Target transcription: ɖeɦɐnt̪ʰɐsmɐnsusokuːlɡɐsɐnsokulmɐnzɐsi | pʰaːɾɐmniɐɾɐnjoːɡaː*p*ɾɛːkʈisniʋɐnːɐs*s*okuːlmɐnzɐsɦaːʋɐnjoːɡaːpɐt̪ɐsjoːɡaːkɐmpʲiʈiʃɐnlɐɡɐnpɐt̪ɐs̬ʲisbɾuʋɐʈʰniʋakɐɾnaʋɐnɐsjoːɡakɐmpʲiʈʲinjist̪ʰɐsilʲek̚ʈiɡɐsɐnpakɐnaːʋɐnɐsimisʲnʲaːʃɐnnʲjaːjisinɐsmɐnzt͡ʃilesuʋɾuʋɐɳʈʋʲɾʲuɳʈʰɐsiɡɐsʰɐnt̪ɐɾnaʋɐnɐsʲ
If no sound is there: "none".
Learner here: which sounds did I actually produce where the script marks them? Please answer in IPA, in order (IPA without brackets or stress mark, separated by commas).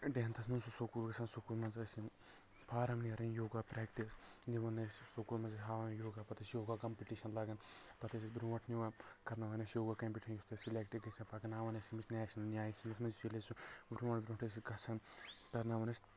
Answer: p, s